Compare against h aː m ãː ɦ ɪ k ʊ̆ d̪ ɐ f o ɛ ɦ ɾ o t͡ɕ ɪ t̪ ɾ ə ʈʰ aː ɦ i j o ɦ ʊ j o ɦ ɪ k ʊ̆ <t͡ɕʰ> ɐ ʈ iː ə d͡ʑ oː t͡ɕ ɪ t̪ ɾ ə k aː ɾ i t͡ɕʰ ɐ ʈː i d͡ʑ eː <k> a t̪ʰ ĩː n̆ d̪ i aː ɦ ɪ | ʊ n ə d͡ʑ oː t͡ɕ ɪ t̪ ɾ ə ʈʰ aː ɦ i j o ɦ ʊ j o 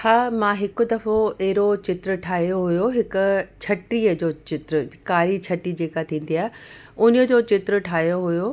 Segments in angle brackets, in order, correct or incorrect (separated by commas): correct, correct